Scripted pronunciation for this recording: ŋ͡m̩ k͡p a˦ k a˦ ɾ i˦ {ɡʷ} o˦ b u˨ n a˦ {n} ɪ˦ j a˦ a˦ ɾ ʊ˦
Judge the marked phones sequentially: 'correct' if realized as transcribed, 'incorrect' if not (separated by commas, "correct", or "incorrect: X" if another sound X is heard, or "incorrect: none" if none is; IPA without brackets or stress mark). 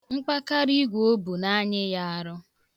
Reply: correct, incorrect: ɲ